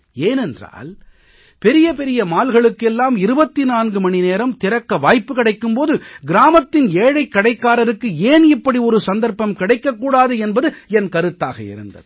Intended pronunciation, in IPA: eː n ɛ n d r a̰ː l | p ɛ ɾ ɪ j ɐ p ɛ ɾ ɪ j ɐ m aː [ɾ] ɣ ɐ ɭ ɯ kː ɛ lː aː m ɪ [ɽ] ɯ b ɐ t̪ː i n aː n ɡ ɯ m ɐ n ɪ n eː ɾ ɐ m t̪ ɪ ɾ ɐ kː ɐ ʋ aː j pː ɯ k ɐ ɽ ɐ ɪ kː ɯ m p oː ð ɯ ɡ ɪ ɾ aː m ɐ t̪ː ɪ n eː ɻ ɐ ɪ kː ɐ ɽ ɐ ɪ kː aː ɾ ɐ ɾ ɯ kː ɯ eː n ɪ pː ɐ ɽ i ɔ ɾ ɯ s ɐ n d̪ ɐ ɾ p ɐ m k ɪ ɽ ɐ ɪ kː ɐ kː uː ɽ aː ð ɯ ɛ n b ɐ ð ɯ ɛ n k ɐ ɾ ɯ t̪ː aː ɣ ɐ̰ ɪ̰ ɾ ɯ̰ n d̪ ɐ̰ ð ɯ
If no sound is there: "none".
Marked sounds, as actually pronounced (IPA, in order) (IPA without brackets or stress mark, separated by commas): l, ɾ